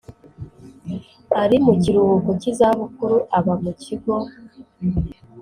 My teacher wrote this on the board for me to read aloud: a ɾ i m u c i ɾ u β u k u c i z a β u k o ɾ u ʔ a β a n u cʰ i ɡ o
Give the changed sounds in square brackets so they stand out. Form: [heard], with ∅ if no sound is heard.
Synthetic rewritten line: a ɾ i m u c i ɾ u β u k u c i z a β u k [u] ɾ u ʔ a β a [m] u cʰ i ɡ o